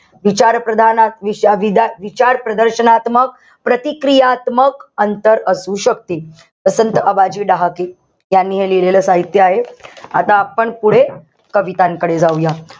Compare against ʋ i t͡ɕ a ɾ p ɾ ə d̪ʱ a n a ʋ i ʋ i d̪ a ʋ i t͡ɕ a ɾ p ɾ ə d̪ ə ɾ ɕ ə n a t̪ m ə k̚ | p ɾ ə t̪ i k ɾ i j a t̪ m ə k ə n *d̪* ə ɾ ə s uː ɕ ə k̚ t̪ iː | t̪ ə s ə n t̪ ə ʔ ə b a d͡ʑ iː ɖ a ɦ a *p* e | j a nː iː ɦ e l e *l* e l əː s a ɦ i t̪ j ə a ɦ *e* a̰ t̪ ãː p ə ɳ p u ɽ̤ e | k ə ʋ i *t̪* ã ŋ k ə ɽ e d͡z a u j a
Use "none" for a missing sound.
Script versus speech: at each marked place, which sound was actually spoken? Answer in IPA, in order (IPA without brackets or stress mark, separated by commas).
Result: t̪, k, l, e, t̪